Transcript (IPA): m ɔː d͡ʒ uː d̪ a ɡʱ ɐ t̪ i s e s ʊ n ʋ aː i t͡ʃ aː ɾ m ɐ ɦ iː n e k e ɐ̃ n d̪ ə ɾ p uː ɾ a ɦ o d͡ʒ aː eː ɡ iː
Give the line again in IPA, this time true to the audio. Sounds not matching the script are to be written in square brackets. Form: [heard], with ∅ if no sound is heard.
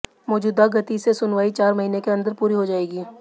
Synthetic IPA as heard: m ɔː d͡ʒ uː d̪ a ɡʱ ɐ t̪ i s e s ʊ n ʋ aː i t͡ʃ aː ɾ m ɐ ɦ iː n e k e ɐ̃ n d̪ ə ɾ p uː ɾ [i] ɦ o d͡ʒ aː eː ɡ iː